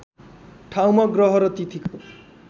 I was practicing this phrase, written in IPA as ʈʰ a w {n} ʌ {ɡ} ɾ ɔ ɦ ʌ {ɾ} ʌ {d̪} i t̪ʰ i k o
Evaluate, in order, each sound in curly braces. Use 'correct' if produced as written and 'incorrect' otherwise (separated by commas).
incorrect, correct, correct, incorrect